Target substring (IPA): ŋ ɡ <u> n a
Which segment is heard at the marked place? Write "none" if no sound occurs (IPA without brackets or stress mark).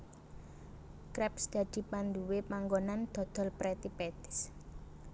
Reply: o